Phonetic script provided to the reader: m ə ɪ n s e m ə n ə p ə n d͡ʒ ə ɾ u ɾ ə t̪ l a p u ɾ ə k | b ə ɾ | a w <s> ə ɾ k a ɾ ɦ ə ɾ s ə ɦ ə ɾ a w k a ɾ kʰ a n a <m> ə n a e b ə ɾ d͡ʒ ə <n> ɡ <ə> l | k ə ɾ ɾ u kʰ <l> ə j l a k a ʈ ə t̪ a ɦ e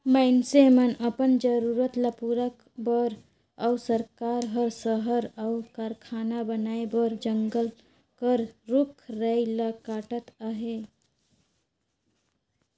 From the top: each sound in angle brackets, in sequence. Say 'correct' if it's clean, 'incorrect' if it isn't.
correct, incorrect: b, incorrect: ŋ, correct, incorrect: ɾ

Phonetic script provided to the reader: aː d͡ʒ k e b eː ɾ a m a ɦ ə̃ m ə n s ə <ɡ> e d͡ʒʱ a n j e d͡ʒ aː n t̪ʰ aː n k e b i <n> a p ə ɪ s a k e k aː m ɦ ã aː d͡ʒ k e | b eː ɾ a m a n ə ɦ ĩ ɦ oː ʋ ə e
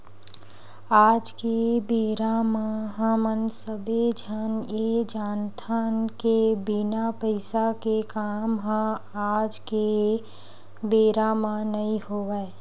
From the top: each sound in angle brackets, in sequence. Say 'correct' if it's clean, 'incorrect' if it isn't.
incorrect: b, correct

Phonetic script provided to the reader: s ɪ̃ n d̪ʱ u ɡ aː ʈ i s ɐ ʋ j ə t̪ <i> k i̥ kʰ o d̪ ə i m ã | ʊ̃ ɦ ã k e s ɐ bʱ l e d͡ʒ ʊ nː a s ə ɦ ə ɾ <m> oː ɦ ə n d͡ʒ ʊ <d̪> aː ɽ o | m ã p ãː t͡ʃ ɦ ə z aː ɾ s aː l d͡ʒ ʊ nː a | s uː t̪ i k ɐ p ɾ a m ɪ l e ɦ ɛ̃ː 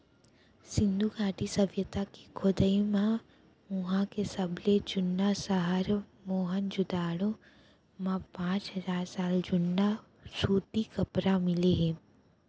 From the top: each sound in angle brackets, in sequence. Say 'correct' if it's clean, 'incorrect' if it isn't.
incorrect: a, correct, correct

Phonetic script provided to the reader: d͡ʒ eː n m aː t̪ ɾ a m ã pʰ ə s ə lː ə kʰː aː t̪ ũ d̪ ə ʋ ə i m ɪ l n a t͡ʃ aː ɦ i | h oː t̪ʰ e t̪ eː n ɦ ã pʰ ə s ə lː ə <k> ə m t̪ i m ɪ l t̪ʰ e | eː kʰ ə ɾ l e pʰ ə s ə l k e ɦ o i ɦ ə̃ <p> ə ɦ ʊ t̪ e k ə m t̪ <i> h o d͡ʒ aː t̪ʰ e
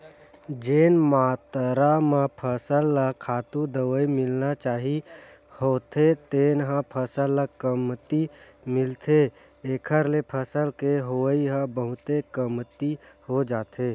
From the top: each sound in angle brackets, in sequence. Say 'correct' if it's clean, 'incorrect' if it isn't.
correct, incorrect: b, correct

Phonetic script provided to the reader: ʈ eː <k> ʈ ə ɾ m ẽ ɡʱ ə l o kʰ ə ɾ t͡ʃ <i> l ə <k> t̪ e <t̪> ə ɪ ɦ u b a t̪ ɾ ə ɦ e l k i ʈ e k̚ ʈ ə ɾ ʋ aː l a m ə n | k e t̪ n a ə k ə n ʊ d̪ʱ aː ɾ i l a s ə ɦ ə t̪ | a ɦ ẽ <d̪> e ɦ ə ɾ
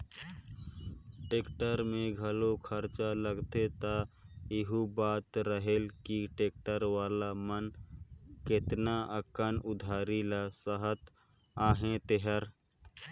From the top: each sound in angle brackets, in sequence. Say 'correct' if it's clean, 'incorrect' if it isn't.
correct, incorrect: a, incorrect: ɡ, correct, incorrect: t̪

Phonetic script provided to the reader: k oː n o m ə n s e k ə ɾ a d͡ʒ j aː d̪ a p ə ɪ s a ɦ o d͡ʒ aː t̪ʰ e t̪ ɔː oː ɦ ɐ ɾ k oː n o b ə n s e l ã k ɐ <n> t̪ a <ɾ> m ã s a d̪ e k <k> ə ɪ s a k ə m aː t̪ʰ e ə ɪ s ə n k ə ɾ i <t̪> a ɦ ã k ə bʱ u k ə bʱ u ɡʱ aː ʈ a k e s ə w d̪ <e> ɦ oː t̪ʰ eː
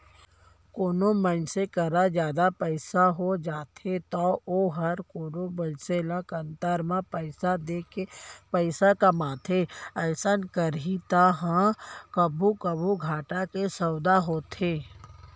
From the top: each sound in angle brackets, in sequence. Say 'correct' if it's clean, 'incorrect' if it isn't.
correct, correct, incorrect: p, correct, incorrect: a

